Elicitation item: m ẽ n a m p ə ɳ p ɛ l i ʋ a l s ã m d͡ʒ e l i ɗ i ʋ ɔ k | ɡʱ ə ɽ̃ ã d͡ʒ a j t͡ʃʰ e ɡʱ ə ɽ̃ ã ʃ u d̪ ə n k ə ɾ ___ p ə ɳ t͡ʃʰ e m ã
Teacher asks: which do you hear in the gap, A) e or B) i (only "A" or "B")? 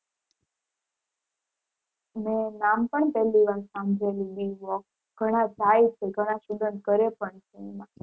A